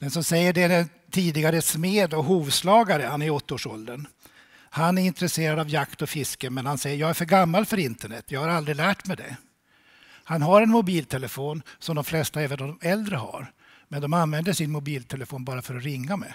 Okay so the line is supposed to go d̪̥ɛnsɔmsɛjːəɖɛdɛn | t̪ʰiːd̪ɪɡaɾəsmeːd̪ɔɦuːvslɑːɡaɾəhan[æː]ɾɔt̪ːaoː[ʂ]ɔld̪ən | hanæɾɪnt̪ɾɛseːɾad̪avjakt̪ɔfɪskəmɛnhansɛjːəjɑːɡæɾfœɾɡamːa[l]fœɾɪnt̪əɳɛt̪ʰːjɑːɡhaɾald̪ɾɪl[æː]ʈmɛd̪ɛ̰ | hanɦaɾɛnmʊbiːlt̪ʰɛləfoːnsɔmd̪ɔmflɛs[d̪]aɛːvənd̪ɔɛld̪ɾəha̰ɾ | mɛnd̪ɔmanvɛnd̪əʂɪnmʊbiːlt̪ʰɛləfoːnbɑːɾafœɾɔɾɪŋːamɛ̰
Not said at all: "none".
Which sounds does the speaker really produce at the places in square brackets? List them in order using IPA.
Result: æ, ʂ, l, æː, t̪

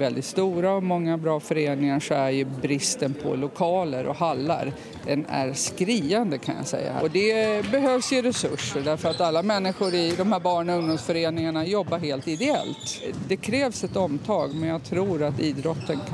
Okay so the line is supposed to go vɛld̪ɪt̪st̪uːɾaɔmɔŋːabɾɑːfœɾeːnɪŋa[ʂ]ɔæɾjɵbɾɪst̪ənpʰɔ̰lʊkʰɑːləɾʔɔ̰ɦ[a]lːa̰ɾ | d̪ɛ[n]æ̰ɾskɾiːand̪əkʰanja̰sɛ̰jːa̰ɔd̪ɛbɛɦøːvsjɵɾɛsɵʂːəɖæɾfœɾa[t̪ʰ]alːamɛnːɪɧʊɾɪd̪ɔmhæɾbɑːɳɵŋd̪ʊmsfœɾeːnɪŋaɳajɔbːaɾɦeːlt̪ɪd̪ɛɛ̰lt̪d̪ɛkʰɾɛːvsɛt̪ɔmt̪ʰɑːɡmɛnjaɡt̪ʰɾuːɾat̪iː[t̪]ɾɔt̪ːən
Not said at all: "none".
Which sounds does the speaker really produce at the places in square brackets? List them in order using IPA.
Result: ʂ, a, n, t̪, d̪

